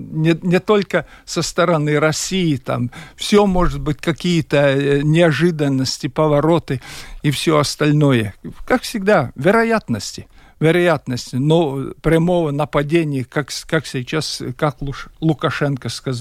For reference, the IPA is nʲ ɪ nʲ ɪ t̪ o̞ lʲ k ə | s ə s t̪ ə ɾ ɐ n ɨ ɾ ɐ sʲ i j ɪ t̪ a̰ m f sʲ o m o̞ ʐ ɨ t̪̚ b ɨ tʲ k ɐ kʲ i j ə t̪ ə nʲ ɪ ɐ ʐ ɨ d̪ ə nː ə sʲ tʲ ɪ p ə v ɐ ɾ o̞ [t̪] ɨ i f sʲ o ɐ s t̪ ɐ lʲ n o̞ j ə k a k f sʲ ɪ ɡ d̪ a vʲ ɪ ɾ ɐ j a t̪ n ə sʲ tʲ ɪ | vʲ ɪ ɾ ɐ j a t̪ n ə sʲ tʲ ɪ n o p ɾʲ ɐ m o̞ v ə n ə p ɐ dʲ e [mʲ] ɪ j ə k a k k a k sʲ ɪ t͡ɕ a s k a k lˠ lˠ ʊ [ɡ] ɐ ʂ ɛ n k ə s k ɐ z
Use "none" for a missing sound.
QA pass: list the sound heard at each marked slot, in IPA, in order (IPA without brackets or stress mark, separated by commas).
t̪, nʲ, k